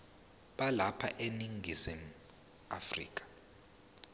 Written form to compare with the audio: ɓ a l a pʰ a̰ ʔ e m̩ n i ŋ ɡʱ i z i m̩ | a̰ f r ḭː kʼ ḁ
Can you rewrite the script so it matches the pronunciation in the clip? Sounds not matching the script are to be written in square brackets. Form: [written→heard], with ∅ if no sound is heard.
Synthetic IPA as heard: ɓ a l a pʰ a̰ ʔ e [m̩→∅] n i ŋ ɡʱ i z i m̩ | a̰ f r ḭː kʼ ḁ

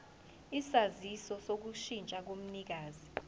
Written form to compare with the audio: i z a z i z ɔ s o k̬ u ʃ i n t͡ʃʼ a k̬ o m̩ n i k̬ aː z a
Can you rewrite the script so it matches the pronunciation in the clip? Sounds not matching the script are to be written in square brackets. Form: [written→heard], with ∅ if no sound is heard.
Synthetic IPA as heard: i [z→s] a z i [z→s] ɔ s o k̬ u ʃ i n t͡ʃʼ a k̬ o m̩ n i k̬ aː z [a→i]

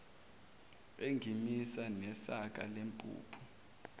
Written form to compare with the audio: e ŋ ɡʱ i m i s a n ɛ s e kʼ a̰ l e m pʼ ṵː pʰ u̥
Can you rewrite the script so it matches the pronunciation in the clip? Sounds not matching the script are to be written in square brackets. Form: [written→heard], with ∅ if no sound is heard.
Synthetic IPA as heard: e ŋ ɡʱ i m i s a n ɛ s [e→a] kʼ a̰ l e m pʼ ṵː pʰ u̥

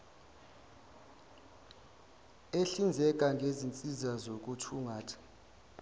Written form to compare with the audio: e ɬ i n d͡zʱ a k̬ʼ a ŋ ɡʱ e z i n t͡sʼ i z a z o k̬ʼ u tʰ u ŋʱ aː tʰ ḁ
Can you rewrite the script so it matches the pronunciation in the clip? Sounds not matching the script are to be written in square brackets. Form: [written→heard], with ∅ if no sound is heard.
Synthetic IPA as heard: e ɬ i n d͡zʱ [a→ɛ] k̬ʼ a ŋ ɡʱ e z i n t͡sʼ i z a z o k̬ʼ u tʰ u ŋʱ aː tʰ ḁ

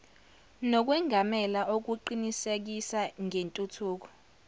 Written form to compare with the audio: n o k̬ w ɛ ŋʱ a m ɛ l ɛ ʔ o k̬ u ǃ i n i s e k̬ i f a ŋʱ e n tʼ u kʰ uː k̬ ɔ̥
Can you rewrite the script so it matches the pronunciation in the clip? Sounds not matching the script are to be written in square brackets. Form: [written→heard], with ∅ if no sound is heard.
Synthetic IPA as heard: n [o→ɔ] k̬ w ɛ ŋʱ a m ɛ l [ɛ→a] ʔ o k̬ u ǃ i n i s e k̬ i [f→s] a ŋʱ e n tʼ u [kʰ→tʰ] uː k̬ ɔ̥

